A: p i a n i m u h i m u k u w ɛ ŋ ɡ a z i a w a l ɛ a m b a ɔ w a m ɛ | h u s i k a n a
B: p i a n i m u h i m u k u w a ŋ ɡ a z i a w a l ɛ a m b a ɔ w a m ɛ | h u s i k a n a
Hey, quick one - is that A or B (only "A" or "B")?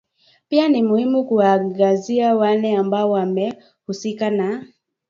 B